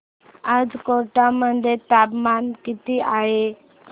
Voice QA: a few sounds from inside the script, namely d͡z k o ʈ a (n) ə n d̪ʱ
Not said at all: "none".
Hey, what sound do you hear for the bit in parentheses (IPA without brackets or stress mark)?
m